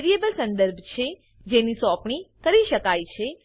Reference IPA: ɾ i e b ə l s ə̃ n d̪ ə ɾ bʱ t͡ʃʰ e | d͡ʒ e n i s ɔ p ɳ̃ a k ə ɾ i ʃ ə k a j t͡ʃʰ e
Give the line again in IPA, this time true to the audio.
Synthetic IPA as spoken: ɾ i e b ə l s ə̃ n d̪ ə ɾ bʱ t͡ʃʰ e | d͡ʒ e n i s ɔ p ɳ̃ i k ə ɾ i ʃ ə k a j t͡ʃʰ e